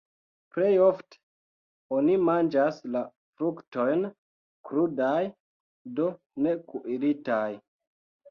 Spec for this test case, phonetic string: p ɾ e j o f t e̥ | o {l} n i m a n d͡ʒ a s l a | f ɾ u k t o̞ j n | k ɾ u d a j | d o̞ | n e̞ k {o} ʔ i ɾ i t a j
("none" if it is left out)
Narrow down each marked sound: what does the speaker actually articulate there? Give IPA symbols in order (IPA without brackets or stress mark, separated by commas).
none, u